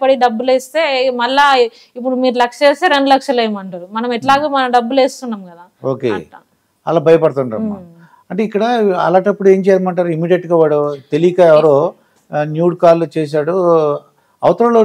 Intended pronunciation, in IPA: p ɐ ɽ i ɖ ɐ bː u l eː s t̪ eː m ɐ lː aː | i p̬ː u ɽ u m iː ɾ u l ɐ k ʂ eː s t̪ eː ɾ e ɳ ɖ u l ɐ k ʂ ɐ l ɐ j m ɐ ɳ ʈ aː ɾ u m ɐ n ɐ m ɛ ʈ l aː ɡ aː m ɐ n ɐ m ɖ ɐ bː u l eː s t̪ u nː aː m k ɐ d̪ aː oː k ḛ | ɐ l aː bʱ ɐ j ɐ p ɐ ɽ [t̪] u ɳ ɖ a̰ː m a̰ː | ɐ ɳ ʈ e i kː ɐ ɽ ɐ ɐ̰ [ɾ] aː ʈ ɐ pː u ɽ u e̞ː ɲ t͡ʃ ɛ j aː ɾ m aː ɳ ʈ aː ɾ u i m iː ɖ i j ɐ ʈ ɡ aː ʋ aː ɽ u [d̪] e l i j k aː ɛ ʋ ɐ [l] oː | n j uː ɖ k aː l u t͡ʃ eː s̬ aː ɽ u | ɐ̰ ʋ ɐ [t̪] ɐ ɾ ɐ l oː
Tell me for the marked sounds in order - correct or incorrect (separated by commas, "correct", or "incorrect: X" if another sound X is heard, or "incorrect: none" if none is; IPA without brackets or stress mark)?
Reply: correct, incorrect: l, incorrect: t̪, incorrect: ɾ, correct